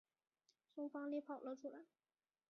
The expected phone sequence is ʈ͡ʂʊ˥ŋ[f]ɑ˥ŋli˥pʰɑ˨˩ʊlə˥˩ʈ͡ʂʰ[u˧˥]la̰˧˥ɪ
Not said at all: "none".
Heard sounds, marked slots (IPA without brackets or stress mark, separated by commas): f, u˥